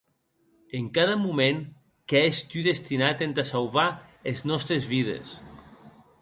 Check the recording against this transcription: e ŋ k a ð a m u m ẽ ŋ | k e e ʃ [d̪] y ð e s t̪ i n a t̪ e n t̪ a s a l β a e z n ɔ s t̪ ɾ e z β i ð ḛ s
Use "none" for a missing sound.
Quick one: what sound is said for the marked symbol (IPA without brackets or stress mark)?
t̪